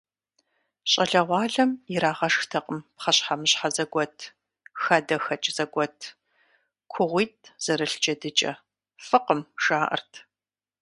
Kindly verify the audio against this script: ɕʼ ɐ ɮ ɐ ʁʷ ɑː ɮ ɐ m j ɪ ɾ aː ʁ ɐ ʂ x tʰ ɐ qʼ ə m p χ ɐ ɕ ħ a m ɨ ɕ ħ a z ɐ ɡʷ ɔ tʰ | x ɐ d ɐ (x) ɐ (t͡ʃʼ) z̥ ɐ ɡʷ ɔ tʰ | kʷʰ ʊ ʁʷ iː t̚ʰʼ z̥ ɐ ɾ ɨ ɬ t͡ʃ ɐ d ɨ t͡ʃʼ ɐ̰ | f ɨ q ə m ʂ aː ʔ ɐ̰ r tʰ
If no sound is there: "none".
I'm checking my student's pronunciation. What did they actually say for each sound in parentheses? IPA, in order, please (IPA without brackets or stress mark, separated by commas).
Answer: x, t͡ʃʼ